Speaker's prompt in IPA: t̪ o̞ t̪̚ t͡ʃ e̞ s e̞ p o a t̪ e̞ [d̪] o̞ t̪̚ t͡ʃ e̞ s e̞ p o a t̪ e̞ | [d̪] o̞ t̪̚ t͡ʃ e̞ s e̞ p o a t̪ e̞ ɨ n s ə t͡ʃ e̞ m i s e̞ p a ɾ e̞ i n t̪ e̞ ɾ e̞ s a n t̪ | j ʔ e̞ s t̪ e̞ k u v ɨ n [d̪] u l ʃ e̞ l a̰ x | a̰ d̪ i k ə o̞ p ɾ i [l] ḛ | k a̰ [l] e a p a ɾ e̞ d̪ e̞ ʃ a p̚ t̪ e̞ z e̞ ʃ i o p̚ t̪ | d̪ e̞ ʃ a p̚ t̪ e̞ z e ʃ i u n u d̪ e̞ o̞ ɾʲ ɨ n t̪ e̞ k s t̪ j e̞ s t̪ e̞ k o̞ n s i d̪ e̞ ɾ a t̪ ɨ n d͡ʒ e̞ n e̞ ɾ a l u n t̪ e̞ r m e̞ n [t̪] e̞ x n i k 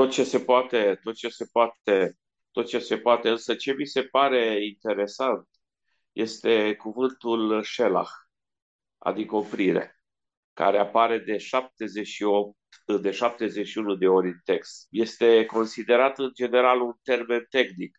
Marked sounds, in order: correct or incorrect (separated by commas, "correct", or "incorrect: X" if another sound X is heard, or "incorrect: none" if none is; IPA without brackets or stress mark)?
incorrect: t̪, incorrect: t̪, incorrect: t̪, incorrect: ɾ, incorrect: ɾ, correct